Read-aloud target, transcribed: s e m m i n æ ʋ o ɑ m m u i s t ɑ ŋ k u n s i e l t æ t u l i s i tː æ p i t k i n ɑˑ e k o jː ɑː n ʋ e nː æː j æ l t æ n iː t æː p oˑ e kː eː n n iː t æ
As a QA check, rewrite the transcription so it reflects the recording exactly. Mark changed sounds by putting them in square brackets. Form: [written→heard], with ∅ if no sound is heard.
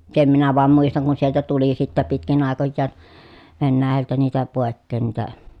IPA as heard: s e m m i n æ ʋ o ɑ m m u i s t ɑ ŋ k u n s i e l t æ t u l i s i tː æ p i t k i n ɑˑ e k o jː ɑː n ʋ e nː æː j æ l t æ n iː t [æː→æ] p oˑ e kː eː n n iː t æ